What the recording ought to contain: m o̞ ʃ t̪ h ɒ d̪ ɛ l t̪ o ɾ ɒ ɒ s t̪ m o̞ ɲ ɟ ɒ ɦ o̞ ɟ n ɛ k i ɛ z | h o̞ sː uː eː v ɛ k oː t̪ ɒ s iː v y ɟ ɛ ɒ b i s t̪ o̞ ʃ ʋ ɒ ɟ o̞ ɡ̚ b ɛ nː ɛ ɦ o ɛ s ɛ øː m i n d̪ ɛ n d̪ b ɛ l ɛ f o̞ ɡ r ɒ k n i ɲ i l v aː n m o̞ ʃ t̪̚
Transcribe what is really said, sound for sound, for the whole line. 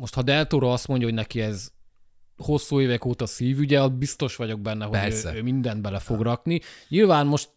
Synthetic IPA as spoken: m o̞ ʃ t̪ h ɒ d̪ ɛ l t̪ o ɾ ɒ ɒ s t̪ m o̞ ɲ ɟ ɒ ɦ o̞ ɟ n ɛ k i ɛ z | h o̞ sː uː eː v ɛ k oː t̪ ɒ s iː v y ɟ ɛ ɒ b i s t̪ o̞ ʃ ʋ ɒ ɟ o̞ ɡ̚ b ɛ nː ɛ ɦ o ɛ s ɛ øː m i n d̪ ɛ n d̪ b ɛ l ɛ f o̞ ɡ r ɒ k n i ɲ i l v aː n m o̞ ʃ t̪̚